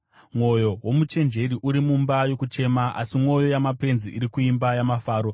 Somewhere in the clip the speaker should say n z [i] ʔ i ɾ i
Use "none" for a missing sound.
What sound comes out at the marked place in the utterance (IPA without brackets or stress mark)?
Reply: i